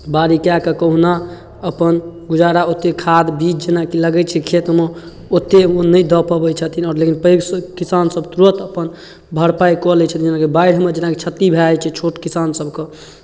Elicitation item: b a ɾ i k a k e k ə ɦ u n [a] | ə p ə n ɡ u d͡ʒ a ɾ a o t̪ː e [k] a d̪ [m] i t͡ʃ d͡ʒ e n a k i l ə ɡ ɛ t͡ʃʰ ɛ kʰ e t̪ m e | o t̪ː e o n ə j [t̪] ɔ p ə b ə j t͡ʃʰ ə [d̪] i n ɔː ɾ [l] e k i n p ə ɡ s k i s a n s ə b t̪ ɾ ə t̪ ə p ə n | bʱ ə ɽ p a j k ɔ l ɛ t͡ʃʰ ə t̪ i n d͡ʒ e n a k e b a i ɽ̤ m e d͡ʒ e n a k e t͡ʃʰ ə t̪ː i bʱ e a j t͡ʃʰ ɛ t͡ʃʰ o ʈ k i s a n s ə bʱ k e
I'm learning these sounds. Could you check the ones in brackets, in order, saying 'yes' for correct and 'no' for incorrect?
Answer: yes, no, no, no, no, yes

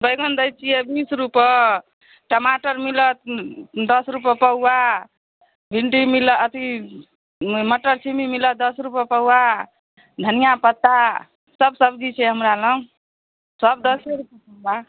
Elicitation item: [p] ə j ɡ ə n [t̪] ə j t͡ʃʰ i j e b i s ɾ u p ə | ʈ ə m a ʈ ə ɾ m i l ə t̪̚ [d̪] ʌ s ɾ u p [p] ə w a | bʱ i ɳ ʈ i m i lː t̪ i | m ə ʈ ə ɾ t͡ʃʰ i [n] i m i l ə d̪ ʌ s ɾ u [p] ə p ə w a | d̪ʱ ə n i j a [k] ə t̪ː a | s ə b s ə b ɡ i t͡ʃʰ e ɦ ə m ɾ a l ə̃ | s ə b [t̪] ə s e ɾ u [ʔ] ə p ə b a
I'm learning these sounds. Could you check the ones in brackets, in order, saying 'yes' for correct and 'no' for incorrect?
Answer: no, no, yes, yes, no, yes, no, no, no

